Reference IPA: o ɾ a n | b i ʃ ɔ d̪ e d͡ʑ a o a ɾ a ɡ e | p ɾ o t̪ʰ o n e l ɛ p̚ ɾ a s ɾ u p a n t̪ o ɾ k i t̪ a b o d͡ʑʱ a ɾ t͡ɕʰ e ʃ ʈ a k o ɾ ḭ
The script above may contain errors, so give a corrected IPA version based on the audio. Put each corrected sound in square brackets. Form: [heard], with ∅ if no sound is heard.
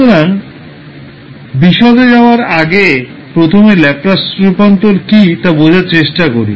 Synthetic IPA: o ɾ a n | b i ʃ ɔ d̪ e d͡ʑ a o a ɾ a ɡ e | p ɾ o t̪ʰ o [m] e l ɛ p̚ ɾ a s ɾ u p a n t̪ o ɾ k i t̪ a b o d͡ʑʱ a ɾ [t͡ɕ] e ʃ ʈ a k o ɾ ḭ